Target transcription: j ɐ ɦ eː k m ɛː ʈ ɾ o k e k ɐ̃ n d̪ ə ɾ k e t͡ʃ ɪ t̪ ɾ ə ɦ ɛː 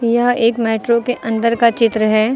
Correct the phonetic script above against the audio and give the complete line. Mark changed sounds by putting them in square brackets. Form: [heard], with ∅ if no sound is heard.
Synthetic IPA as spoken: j ɐ ɦ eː k m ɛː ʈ ɾ o k e [ʔ] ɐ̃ n d̪ ə ɾ k [a] t͡ʃ ɪ t̪ ɾ ə ɦ ɛː